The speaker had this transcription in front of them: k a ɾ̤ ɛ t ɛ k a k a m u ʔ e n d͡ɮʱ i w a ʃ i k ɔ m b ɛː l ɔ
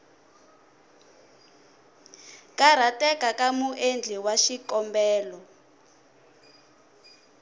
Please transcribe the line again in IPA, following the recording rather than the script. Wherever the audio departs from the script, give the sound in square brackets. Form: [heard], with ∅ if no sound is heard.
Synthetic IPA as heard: k a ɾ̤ [a] t ɛ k a k a m u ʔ e n d͡ɮʱ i w a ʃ i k ɔ m b ɛː l ɔ